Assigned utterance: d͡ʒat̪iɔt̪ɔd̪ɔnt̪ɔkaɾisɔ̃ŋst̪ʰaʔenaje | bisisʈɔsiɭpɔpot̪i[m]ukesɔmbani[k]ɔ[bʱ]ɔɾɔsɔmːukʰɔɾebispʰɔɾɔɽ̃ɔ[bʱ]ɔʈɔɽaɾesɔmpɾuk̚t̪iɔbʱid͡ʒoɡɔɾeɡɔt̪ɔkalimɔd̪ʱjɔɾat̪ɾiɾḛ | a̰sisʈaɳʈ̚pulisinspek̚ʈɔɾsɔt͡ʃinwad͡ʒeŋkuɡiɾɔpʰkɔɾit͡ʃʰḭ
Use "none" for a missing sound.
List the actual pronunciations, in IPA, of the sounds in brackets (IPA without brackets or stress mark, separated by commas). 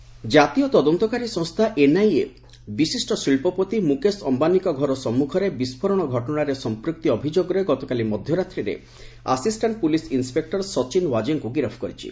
m, k, ɡʱ, ɡʱ